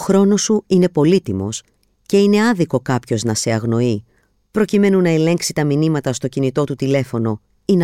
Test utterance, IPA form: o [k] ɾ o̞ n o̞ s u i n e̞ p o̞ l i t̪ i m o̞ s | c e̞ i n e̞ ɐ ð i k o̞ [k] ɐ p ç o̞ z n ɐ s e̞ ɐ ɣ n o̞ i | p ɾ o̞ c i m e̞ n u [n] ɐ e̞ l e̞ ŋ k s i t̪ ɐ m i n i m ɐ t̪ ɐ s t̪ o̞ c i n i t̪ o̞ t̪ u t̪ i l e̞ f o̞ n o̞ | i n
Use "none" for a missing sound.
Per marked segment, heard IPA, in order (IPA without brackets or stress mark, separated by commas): x, k, n